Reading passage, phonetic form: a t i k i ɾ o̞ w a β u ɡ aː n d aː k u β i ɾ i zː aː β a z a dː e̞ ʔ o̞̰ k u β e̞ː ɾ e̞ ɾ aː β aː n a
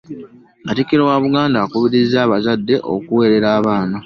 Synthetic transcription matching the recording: a t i k i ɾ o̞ w a β u ɡ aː n d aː k u β i ɾ i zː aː β a z a dː e̞ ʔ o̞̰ k u w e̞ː ɾ e̞ ɾ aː β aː n a